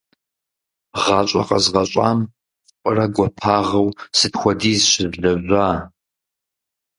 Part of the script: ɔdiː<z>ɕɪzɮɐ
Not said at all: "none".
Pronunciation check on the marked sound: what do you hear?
z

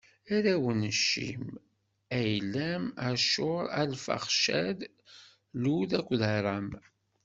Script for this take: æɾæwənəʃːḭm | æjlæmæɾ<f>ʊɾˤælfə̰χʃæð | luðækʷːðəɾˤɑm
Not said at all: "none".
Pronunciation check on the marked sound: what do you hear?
ʃ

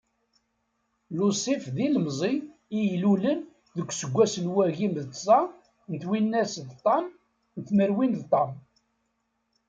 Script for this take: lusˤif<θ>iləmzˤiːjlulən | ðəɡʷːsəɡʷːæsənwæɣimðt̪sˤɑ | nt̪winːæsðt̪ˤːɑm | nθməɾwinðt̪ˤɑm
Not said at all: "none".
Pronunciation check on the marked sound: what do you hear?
ð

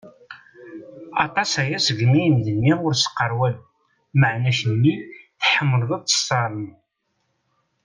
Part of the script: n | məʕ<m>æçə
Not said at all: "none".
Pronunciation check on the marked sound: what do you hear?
n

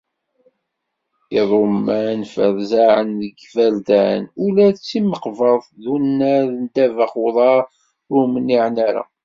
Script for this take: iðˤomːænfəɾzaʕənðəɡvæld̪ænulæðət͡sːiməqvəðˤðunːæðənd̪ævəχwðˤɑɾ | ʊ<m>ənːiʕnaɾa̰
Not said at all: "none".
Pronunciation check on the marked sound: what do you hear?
m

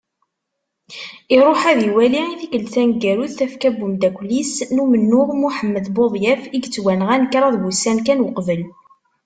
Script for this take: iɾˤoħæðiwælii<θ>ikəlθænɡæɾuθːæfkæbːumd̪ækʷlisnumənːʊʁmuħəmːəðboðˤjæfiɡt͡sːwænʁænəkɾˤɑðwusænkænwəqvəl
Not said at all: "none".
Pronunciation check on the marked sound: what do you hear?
θ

